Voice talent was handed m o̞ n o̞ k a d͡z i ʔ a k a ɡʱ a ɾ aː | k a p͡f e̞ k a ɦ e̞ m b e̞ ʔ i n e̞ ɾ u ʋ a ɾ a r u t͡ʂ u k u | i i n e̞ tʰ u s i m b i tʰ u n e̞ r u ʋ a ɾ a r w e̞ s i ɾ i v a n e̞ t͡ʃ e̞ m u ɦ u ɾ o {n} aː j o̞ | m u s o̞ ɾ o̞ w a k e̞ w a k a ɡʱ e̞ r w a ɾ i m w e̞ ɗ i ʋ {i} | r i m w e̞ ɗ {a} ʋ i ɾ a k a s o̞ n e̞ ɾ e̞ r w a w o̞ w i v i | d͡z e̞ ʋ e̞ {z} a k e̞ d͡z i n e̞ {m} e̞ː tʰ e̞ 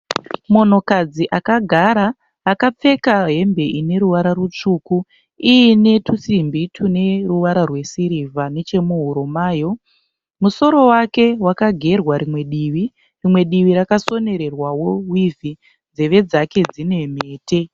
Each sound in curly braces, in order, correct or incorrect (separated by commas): incorrect, correct, incorrect, incorrect, correct